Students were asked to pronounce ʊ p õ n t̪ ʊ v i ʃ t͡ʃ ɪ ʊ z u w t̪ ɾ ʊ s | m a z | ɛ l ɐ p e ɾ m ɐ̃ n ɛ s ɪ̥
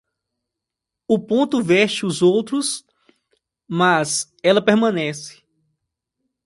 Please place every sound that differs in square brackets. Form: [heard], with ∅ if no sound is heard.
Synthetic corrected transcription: ʊ p õ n t̪ ʊ v [ɛ] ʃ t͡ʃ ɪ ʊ z [o] w t̪ ɾ ʊ s | m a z | ɛ l ɐ p e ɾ m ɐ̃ n ɛ s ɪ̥